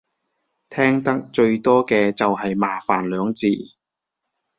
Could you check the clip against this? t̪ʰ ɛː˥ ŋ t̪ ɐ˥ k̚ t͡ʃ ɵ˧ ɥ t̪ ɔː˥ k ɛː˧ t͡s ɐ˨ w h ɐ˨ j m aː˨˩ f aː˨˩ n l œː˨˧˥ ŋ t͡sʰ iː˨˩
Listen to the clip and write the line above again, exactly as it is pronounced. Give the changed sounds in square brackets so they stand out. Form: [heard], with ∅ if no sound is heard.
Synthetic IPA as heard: t̪ʰ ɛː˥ ŋ t̪ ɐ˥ k̚ t͡ʃ ɵ˧ ɥ t̪ ɔː˥ k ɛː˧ t͡s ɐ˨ w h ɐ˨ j m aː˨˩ f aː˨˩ n l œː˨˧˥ ŋ [t͡s] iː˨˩